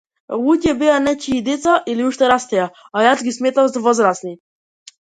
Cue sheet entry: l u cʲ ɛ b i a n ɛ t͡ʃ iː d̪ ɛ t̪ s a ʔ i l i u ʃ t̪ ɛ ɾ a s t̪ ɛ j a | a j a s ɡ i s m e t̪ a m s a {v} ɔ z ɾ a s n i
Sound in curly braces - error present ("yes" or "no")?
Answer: no